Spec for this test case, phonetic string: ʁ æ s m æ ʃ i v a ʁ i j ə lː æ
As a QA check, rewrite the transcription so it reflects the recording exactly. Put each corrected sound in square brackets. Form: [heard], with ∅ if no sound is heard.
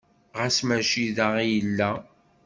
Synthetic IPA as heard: ʁ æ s m æ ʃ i [ð] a ʁ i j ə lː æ